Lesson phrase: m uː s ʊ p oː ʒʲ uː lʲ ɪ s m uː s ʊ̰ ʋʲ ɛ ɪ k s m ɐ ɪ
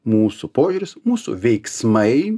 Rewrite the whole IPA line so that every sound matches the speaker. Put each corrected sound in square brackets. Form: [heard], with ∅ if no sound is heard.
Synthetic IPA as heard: m uː s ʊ p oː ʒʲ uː [ɾʲ] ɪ s m uː s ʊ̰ ʋʲ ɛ ɪ k s m ɐ ɪ